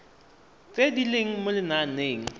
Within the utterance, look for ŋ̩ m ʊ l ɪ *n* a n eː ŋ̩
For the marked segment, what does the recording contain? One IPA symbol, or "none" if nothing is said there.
n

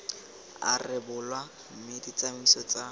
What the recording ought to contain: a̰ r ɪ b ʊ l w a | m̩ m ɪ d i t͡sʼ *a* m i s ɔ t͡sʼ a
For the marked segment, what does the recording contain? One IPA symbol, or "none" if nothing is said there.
a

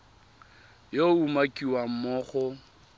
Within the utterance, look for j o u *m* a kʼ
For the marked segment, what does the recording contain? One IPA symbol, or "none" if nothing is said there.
m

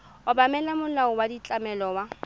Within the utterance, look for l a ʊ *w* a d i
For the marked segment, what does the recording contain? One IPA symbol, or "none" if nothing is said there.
w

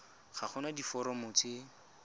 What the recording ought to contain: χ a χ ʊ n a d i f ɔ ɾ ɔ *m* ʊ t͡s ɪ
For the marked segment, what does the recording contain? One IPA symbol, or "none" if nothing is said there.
m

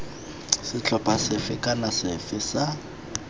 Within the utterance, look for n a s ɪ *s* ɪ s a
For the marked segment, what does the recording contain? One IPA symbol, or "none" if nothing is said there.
f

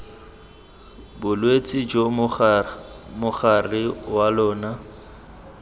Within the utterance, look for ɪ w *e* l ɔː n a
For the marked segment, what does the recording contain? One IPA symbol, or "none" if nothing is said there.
a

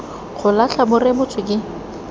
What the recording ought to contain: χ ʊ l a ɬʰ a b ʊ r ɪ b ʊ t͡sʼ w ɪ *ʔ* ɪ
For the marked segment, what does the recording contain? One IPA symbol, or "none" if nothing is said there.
k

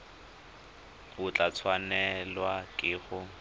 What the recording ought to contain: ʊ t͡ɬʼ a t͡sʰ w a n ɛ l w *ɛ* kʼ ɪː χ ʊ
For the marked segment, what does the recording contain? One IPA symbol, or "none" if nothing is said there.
a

